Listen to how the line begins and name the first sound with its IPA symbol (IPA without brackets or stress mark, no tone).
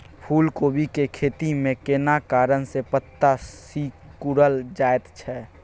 pʰ